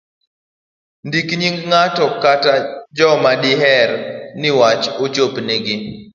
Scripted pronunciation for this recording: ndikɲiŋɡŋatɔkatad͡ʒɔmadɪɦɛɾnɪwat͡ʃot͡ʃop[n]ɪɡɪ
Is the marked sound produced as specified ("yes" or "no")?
yes